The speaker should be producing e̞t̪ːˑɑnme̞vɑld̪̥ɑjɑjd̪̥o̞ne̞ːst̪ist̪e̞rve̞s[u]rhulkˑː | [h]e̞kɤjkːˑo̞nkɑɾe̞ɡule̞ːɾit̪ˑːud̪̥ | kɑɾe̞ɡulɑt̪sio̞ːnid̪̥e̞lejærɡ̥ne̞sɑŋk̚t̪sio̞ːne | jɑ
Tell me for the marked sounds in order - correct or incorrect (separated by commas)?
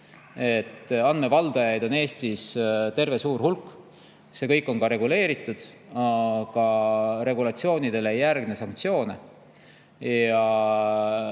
incorrect, incorrect